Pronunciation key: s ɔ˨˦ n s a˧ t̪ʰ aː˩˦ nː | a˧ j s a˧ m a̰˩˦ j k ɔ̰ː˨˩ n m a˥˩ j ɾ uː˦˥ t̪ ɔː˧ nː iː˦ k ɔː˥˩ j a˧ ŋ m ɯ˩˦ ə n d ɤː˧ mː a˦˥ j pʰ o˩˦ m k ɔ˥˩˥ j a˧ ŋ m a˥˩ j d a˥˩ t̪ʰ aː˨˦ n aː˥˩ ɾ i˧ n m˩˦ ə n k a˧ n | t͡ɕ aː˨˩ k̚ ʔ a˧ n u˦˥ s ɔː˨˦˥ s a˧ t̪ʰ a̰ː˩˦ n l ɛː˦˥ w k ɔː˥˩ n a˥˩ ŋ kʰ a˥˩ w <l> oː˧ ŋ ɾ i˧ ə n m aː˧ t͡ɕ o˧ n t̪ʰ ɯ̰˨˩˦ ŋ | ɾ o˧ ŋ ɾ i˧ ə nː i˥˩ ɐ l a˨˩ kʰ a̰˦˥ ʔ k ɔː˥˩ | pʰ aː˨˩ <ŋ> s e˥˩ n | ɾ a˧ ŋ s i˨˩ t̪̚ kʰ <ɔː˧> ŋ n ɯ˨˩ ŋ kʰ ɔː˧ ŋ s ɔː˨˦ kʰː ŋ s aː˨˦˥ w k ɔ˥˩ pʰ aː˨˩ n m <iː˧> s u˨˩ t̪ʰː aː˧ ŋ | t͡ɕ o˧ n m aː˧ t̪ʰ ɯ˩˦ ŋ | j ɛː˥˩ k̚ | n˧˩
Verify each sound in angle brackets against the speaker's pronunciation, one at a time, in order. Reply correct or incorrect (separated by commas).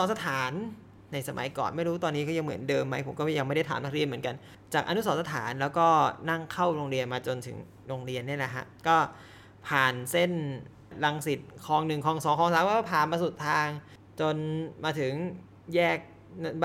incorrect, incorrect, correct, incorrect